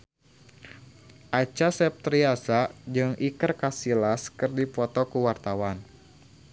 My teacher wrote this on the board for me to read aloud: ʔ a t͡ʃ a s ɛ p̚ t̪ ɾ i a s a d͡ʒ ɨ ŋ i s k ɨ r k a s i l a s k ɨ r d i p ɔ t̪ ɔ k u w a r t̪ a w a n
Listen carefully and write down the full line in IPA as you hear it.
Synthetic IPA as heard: ʔ a t͡ʃ a s ɛ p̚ t̪ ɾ i a s a d͡ʒ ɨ ŋ i k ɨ r k a s i l a s k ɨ r d i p ɔ t̪ ɔ k u w a r t̪ a w a n